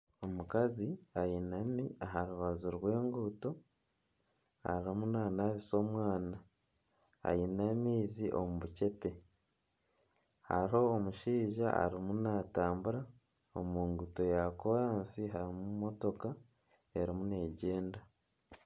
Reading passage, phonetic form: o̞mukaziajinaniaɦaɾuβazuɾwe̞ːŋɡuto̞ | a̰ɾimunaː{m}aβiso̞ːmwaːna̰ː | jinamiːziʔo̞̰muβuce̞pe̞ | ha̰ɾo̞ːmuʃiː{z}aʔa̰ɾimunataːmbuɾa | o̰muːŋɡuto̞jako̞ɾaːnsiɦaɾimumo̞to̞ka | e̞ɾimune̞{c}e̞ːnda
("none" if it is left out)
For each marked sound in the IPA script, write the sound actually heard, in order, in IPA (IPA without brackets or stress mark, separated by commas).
n, ʒ, ɟ